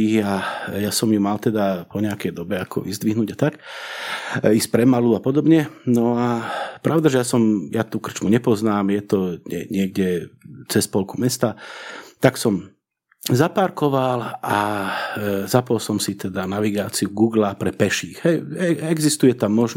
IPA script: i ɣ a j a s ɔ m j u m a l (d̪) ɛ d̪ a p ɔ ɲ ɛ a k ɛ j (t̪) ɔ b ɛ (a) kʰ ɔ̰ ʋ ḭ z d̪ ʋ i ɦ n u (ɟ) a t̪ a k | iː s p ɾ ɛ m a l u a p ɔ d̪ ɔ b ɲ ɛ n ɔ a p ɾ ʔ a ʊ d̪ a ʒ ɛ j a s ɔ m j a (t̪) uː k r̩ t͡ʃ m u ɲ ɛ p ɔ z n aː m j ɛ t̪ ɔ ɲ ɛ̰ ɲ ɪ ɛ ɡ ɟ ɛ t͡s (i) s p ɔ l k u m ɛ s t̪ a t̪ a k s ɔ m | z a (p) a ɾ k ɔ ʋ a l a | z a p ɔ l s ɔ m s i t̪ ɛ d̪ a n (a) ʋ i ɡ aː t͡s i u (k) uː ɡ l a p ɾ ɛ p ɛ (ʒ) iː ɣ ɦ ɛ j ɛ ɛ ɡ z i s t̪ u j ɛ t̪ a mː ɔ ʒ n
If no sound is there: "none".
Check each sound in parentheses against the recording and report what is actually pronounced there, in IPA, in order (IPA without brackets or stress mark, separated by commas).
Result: t̪, d̪, a, ɟ, t̪, ɛ, p, a, ɡ, ʃ